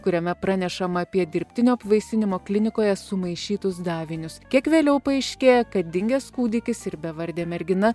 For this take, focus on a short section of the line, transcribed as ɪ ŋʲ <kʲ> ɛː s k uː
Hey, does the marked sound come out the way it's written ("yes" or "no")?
no